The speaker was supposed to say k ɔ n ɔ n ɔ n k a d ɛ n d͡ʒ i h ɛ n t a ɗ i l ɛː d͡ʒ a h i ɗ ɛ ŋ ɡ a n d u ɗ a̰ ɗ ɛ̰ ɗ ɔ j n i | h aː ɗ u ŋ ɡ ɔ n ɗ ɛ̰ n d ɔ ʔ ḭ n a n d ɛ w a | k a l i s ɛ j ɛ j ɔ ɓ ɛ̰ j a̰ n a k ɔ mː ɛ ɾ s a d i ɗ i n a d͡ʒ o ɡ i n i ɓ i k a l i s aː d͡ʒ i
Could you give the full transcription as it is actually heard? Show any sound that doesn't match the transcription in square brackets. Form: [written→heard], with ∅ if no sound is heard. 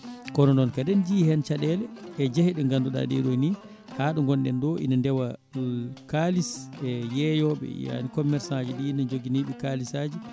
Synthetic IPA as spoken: k ɔ n ɔ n ɔ n k a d ɛ n d͡ʒ i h ɛ n [t→t͡ʃ] a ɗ [i→ɛ] l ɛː d͡ʒ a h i ɗ ɛ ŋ ɡ a n d u ɗ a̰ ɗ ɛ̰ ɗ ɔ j n i | h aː ɗ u ŋ ɡ ɔ n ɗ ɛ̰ n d ɔ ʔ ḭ n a n d ɛ w a | k a l i s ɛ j ɛ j ɔ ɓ ɛ̰ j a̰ n [a→i] k ɔ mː ɛ ɾ s a [d→d͡ʒ] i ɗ i n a d͡ʒ o ɡ i n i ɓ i k a l i s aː d͡ʒ i